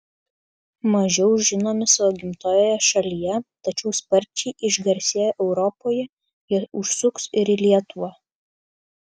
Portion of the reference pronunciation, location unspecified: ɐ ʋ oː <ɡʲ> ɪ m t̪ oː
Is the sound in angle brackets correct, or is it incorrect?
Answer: correct